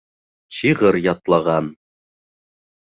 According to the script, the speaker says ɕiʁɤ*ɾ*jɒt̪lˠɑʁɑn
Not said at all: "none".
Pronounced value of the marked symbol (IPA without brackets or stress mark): ɾ